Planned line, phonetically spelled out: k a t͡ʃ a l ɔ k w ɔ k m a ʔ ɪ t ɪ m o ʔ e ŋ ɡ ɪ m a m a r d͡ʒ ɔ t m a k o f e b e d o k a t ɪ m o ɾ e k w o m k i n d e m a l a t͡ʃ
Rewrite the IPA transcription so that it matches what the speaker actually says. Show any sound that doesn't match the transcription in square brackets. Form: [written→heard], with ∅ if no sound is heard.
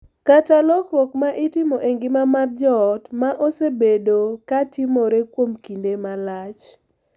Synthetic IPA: k a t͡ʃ a l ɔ k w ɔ k m a ʔ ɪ t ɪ m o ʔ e ŋ ɡ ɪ m a m a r d͡ʒ ɔ t m a [k→ʔ] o [f→s] e b e d o k a t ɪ m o ɾ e k w o m k i n d e m a l a t͡ʃ